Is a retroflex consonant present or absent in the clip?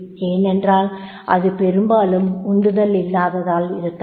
absent